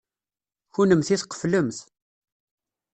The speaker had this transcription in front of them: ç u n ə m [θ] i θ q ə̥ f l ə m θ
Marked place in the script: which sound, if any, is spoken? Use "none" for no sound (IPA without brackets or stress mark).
θ